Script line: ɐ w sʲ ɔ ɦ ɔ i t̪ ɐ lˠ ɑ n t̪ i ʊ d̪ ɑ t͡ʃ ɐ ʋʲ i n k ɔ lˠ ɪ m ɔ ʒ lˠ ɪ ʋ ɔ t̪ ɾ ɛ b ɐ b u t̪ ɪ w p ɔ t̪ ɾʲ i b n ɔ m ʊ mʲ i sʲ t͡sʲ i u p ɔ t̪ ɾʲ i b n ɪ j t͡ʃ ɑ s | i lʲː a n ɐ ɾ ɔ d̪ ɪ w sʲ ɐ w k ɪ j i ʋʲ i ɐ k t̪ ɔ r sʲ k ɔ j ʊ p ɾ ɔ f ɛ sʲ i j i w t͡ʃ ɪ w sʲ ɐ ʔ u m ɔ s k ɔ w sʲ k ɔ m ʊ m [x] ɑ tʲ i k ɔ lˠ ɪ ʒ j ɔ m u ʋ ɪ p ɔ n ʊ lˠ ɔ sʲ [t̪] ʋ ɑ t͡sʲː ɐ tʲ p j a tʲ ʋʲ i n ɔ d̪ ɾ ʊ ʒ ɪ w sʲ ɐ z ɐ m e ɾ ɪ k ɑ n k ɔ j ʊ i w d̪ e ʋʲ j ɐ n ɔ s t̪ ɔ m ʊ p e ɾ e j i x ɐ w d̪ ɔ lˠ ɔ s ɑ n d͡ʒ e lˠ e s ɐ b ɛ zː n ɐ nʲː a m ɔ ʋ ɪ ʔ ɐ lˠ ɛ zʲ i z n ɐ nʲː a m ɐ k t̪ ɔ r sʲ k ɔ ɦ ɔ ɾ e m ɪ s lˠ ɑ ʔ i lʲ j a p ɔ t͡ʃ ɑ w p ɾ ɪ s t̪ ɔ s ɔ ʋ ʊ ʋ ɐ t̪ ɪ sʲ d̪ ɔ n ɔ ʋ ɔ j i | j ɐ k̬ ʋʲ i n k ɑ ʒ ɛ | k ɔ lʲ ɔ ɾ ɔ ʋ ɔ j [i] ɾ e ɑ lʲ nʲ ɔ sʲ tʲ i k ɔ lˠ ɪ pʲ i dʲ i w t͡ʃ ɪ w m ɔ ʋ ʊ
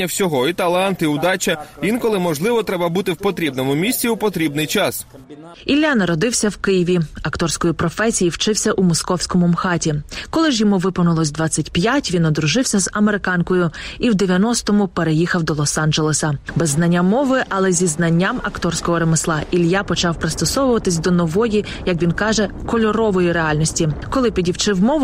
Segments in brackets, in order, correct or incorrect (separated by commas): correct, incorrect, correct